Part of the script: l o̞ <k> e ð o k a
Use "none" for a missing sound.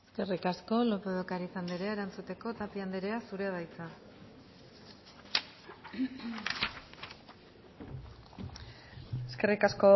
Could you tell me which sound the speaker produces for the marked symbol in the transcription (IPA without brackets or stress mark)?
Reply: p